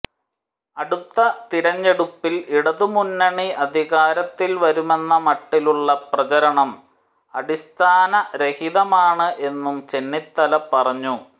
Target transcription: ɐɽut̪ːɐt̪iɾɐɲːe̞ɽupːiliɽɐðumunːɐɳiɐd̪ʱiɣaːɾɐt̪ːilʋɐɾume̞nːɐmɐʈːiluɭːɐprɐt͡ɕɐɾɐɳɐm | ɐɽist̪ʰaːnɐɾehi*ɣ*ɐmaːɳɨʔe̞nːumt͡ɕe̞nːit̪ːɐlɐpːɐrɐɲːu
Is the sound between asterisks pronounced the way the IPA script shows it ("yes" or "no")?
no